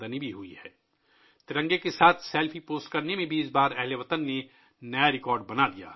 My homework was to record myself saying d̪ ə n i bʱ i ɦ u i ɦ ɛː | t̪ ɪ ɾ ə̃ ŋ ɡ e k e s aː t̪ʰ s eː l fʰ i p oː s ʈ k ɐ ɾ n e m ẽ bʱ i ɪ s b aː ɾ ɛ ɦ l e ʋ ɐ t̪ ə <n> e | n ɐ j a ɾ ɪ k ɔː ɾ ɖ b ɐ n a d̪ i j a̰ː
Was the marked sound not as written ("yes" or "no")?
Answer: yes